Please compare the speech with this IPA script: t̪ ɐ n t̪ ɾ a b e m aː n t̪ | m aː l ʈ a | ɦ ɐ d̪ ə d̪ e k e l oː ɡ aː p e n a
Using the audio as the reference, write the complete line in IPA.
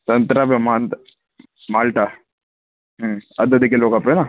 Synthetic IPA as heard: t̪ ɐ n t̪ ɾ a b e m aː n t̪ | m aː l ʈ a | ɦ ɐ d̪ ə d̪ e k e l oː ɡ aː p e n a